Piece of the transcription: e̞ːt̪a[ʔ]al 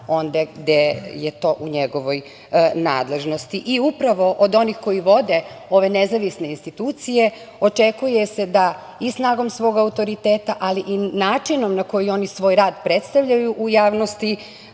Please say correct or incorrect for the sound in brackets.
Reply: correct